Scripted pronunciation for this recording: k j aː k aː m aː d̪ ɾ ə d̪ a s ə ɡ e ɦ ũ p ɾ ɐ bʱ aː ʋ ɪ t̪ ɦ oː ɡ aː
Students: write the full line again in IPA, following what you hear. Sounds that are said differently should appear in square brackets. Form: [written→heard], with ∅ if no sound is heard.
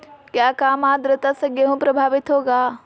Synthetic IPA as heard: k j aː k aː m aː d̪ ɾ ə [d̪→t̪] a s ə ɡ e ɦ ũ p ɾ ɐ bʱ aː ʋ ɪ t̪ ɦ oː ɡ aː